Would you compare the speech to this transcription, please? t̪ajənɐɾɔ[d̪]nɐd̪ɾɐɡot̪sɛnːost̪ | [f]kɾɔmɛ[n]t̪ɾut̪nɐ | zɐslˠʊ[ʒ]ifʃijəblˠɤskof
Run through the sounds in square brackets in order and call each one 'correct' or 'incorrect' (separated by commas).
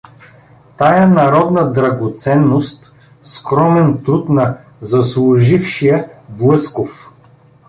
correct, incorrect, correct, correct